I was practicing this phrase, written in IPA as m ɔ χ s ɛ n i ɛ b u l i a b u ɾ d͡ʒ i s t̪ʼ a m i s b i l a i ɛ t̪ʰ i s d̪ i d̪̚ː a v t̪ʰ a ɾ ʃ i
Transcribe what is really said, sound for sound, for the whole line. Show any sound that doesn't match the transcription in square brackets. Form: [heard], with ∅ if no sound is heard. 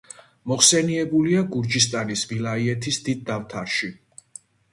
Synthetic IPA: m ɔ χ s ɛ n i ɛ b u l i a [ɡ] u ɾ d͡ʒ i s t̪ʼ a [n] i s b i l a i ɛ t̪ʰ i s d̪ i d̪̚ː a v t̪ʰ a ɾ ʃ i